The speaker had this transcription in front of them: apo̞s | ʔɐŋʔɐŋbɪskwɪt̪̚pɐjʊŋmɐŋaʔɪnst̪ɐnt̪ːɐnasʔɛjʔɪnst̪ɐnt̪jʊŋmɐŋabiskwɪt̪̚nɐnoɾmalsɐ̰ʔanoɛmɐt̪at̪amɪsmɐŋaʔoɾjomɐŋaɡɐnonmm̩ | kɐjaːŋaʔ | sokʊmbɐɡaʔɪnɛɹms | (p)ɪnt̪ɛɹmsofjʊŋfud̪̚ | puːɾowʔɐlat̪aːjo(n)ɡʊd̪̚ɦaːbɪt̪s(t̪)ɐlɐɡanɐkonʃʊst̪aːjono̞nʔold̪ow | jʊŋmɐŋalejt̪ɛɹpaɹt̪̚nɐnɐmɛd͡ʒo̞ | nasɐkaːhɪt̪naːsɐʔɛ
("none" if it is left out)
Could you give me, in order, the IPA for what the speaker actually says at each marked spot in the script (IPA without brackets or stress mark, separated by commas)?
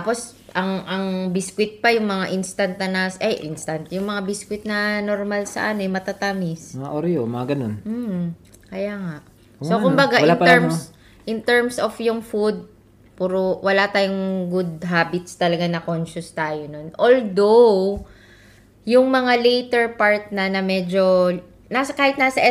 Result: ʔ, ŋ, t̪